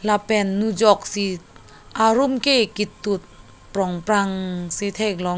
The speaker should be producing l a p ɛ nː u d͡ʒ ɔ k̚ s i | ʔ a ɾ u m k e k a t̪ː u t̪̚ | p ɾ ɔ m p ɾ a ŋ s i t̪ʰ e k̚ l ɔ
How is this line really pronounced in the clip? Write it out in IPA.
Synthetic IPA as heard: l a p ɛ nː u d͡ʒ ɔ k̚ s i | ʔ a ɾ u m k e k i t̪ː u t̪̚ | p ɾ ɔ ŋ p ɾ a ŋ s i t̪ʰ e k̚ l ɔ

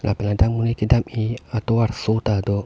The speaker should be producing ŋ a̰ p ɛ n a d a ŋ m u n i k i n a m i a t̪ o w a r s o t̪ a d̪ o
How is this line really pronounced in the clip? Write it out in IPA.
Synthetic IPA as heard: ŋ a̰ p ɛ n a d a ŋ m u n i k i d a m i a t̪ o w a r s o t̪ a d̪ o

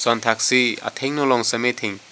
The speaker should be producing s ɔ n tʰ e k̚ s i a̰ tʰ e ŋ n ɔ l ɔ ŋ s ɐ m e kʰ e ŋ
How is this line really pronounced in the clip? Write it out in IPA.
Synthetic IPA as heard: s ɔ n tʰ a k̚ s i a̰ tʰ e ŋ n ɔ l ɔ ŋ s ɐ m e tʰ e ŋ

